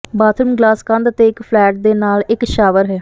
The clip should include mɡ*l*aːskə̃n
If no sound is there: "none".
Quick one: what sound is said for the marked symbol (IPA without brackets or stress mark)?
l